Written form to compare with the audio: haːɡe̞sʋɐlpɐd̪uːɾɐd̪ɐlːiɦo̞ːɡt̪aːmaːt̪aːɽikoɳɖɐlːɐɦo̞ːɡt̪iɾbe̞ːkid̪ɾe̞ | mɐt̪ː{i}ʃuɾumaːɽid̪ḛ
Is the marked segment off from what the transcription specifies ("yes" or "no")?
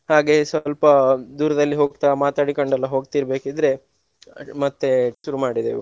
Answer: yes